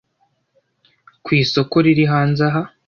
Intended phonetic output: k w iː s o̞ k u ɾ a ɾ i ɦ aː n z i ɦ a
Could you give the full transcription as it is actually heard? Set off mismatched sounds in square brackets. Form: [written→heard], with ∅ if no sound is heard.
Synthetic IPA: k w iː s o̞ k [u→o] ɾ [a→i] ɾ i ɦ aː n z [i→a] ɦ a